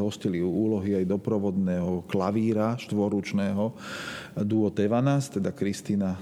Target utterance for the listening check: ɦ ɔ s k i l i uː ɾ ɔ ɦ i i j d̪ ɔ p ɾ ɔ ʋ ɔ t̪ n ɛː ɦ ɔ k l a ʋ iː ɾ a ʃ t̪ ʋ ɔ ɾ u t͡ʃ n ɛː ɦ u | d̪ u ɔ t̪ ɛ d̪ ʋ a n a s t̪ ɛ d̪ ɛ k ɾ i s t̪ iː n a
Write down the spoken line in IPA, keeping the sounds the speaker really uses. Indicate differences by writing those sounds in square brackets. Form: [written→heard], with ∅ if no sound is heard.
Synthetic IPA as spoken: ɦ ɔ s [k→c] i l i uː [ɾ→l] ɔ ɦ i [i→a] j d̪ ɔ p ɾ ɔ ʋ ɔ [t̪→d̪] n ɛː ɦ ɔ k l a ʋ iː ɾ a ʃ t̪ ʋ ɔ ɾ u t͡ʃ n ɛː ɦ [u→ɔ] | d̪ u ɔ t̪ ɛ [d̪→∅] ʋ a n a s t̪ ɛ d̪ [ɛ→a] k ɾ i s t̪ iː n a